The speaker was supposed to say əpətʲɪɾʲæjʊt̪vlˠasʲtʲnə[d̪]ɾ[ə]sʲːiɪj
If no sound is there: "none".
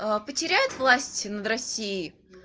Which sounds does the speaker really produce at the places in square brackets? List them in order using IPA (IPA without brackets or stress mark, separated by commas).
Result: d̪, ɐ